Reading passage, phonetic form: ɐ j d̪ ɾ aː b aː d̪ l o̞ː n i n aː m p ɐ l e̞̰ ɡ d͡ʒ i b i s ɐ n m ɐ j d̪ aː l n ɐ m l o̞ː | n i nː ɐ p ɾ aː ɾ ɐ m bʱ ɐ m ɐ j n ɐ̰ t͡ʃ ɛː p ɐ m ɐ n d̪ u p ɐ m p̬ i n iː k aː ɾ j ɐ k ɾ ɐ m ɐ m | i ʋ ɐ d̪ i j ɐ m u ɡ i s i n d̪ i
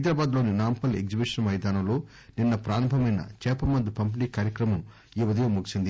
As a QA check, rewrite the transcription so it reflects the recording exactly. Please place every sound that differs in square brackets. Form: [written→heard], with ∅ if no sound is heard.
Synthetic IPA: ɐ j d̪ ɾ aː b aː d̪ l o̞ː n i n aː m p ɐ l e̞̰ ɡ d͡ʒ i b i [s→ʂ] ɐ n m ɐ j d̪ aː [l→∅] n ɐ m l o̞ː | n i nː ɐ p ɾ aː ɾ ɐ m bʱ ɐ m ɐ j n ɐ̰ t͡ʃ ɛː p ɐ m ɐ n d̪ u p ɐ m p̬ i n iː k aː ɾ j ɐ k ɾ ɐ m ɐ m | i ʋ ɐ d̪ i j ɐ m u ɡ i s i n d̪ i